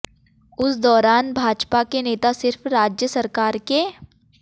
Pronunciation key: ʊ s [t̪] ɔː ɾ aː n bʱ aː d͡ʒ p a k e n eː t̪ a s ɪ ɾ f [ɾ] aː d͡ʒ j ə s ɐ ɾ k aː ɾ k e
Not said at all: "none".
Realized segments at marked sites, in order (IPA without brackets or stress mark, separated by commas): d̪, ɾ